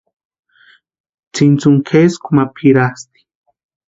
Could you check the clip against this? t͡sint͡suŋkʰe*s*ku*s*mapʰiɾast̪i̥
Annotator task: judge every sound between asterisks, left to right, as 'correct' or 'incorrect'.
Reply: correct, incorrect: none

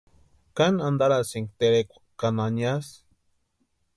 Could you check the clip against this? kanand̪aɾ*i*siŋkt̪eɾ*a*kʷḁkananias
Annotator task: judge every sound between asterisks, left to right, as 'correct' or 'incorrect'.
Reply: incorrect: a, incorrect: e

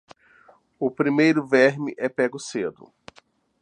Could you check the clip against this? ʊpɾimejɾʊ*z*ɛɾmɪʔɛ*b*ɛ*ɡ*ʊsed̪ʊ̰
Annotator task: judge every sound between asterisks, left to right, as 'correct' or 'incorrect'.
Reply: incorrect: v, incorrect: p, correct

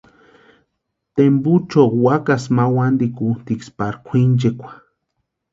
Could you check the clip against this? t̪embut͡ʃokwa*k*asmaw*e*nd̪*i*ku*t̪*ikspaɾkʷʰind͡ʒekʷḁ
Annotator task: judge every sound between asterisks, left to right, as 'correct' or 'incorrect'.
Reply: correct, incorrect: a, correct, correct

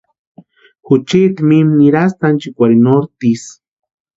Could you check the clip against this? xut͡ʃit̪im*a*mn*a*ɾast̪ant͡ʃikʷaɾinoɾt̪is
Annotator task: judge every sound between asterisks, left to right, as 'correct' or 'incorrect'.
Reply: incorrect: i, incorrect: i

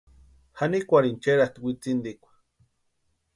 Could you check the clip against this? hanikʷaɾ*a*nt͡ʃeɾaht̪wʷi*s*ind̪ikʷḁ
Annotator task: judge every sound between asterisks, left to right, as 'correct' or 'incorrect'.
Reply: incorrect: i, incorrect: t͡s

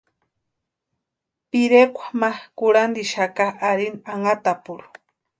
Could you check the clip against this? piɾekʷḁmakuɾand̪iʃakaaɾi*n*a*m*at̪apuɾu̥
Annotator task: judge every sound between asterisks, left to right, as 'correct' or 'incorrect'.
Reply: correct, incorrect: ŋ

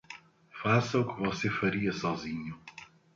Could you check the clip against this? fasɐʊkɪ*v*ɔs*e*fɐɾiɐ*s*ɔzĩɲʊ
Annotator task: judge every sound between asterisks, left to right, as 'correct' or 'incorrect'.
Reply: correct, correct, correct

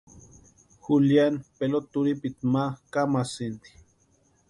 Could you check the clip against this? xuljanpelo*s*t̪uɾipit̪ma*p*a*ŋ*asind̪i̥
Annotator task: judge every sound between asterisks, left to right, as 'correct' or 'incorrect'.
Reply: incorrect: none, incorrect: k, incorrect: m

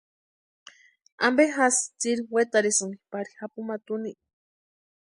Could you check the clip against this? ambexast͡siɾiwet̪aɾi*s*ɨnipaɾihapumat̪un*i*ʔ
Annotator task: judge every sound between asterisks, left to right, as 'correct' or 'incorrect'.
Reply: correct, correct

